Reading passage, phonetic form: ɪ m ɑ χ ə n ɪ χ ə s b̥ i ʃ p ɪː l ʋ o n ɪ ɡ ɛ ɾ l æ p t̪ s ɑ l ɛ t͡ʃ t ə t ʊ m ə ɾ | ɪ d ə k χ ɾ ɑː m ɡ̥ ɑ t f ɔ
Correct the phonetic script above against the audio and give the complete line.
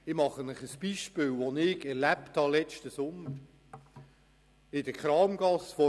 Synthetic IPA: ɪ m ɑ χ ə n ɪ χ ə s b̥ i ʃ p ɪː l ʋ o n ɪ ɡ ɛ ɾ l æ p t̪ h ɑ l ɛ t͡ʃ t ə s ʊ m ə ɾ | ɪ d ə k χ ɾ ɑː m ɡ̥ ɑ s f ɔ